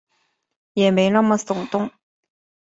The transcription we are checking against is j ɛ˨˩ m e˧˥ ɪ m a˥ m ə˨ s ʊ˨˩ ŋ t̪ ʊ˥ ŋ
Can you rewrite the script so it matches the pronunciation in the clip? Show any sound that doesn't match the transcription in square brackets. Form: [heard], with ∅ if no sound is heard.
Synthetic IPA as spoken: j ɛ˨˩ m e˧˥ ɪ [n] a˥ m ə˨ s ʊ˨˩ ŋ t̪ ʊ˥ ŋ